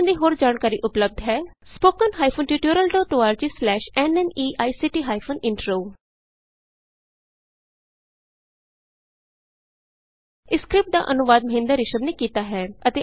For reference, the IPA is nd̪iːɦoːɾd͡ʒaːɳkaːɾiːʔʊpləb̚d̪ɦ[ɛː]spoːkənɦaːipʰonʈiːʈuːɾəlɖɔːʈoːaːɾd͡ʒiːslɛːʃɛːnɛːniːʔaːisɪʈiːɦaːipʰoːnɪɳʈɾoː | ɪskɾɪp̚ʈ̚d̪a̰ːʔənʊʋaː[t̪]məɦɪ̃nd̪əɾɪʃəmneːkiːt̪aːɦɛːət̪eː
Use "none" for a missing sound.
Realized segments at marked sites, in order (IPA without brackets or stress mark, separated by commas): ɛː, d̪